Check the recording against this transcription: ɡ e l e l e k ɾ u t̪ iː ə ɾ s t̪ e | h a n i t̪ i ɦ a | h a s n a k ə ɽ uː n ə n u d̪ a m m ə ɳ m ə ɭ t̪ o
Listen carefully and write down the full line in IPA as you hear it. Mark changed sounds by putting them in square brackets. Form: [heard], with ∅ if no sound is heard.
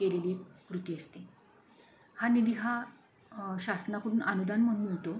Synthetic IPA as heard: [k] e l e l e k ɾ u t̪ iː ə [∅] s t̪ e | h a n i [d̪] i ɦ a | [ɕ] a s n a k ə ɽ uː n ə n u d̪ a [n] m ə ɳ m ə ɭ t̪ o